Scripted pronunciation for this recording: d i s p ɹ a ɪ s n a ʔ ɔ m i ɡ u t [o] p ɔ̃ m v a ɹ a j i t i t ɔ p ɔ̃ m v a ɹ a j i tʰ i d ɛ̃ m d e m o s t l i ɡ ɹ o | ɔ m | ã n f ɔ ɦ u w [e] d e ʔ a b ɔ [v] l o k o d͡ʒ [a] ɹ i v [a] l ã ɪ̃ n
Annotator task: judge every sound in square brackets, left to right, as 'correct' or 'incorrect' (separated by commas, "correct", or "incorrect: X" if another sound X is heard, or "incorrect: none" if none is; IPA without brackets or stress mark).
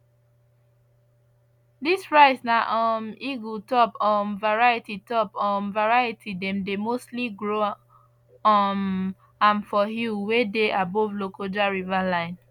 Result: incorrect: ɔ, correct, correct, correct, correct